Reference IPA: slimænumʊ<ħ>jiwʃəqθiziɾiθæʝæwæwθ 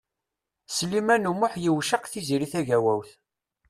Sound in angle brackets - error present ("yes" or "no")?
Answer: no